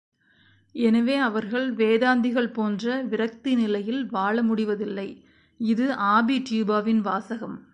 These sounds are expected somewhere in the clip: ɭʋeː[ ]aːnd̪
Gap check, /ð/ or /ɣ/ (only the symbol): ð